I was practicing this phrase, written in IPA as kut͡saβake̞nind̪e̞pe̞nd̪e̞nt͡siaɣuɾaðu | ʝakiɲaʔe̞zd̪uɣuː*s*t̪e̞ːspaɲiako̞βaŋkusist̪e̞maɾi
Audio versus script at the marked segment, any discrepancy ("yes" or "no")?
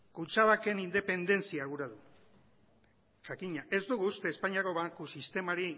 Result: no